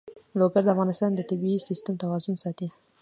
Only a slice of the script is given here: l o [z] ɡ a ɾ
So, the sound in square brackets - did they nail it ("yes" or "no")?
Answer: no